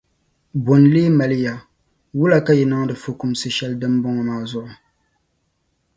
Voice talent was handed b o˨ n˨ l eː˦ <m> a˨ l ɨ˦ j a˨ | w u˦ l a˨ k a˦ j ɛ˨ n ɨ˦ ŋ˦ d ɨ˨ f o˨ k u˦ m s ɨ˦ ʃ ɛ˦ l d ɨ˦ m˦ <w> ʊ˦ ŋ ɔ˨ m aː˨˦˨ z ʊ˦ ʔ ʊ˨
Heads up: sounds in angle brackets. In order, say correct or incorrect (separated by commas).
correct, incorrect